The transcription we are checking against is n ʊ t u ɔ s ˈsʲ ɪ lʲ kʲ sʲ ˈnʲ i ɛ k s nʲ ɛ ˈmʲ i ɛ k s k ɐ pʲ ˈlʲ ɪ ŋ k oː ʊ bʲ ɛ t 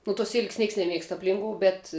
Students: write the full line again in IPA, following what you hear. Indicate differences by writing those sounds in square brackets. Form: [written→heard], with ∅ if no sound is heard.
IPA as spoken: n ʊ t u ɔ s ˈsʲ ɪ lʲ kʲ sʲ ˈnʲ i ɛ k s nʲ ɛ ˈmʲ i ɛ k s [k→t] ɐ pʲ ˈlʲ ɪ ŋ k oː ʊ bʲ ɛ t